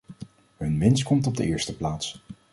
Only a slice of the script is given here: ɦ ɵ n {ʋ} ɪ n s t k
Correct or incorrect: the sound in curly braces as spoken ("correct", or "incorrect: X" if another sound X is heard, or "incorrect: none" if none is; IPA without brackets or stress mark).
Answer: correct